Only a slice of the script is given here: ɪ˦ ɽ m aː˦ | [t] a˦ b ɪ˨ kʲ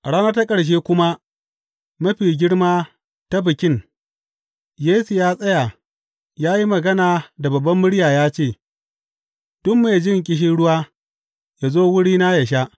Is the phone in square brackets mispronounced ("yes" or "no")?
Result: no